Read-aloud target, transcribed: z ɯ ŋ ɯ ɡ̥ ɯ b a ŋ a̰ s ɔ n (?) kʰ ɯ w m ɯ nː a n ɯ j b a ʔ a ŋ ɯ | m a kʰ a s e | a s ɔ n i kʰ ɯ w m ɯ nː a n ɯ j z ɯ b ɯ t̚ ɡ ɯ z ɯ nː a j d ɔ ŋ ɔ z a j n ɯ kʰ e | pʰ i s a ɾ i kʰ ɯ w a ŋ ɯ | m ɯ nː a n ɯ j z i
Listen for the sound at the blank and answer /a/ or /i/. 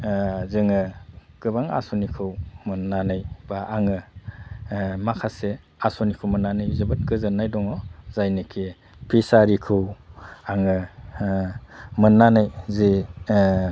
i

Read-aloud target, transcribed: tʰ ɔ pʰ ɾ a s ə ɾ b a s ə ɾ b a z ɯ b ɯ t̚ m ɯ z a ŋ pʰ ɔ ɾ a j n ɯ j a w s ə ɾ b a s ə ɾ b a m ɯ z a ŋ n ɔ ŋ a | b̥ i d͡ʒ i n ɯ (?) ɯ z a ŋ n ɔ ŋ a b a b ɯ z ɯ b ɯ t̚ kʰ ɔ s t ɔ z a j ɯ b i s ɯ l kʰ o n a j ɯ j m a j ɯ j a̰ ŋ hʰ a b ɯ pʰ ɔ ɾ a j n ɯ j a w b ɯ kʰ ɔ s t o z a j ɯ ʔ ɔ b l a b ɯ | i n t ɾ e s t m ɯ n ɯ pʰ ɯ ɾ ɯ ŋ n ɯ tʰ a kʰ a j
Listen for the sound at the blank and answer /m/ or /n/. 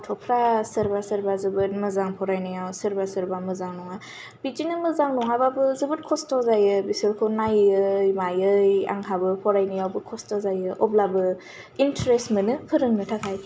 m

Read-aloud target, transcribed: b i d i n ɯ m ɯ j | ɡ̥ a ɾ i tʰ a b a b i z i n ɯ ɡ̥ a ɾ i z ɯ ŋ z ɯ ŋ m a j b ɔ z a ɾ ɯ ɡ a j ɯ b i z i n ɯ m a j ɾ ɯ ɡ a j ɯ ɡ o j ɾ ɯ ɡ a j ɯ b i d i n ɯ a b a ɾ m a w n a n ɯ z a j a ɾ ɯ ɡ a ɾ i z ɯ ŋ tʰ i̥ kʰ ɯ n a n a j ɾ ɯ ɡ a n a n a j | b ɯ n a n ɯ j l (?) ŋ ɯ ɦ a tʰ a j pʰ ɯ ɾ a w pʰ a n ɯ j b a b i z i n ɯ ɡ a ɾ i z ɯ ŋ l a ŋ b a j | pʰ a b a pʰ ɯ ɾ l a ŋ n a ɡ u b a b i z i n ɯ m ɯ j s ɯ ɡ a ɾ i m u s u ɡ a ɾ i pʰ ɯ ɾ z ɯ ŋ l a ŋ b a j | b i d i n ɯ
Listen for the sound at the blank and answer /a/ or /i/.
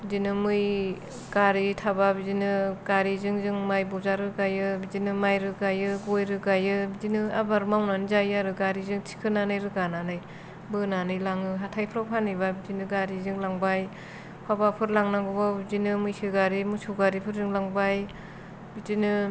a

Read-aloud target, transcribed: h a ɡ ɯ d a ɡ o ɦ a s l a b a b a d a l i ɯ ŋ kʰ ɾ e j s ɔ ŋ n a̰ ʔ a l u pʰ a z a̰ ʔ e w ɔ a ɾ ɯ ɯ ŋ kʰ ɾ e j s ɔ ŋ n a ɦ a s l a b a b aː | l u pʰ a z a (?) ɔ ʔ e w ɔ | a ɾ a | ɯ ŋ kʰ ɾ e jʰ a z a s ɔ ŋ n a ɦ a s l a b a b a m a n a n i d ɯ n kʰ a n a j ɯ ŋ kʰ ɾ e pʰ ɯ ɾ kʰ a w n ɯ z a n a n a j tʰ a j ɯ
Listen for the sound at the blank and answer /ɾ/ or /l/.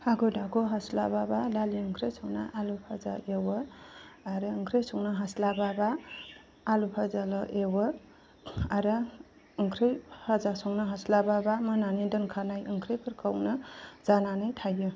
l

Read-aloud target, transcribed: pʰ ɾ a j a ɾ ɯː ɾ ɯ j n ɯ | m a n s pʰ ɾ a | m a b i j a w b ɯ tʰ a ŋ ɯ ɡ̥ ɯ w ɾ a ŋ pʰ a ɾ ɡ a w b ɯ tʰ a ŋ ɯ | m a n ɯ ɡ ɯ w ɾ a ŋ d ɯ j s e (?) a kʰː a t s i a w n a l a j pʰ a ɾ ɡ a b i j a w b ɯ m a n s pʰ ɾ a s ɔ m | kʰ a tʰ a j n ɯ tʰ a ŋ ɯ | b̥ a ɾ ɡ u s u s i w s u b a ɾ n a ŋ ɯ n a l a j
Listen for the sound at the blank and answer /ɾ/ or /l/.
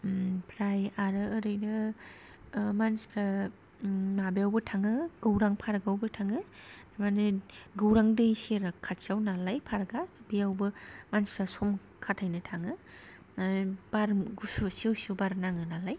ɾ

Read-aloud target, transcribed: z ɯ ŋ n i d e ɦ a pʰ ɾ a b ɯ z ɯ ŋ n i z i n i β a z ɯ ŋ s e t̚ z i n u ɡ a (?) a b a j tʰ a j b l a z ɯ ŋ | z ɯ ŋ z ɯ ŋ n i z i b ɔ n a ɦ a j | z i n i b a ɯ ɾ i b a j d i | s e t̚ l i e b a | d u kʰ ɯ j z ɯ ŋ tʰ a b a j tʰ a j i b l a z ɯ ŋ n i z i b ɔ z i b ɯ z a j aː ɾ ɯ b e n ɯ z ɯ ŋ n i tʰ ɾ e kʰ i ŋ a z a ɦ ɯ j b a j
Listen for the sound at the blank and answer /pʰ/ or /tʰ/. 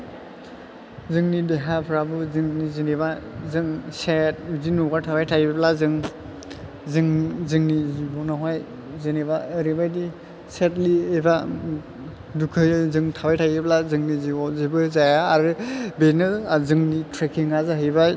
tʰ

